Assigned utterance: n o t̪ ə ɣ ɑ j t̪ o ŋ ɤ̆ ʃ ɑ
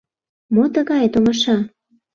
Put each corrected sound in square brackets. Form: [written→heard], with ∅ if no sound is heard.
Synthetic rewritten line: [n→m] o t̪ ə ɣ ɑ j t̪ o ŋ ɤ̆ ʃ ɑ